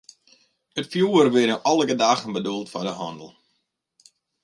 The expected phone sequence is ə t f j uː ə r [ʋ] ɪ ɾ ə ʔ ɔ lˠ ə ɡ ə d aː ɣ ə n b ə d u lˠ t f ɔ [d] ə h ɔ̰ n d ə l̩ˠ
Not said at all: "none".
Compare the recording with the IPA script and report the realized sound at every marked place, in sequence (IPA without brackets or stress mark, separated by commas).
ʋ, d